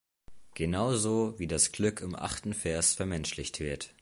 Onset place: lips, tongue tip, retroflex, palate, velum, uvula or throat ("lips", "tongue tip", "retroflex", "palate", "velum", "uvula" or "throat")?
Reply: velum